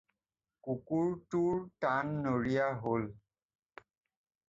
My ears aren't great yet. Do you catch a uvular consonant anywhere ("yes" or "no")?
no